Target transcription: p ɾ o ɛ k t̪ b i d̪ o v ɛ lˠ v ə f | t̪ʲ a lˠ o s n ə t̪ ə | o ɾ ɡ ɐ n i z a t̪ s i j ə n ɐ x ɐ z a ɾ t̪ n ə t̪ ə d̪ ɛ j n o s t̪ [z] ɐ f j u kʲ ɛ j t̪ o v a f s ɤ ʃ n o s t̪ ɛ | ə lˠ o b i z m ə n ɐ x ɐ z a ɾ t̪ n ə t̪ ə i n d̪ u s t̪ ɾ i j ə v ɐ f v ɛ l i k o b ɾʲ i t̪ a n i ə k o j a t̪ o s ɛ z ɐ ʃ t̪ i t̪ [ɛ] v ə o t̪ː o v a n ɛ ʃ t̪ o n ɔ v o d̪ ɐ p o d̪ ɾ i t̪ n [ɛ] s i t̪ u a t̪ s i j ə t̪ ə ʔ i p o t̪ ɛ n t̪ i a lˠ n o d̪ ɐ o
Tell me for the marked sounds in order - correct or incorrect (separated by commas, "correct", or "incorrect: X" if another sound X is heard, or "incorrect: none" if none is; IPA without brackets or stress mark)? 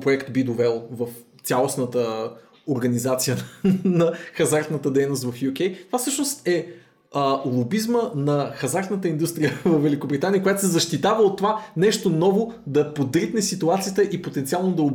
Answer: incorrect: v, incorrect: a, correct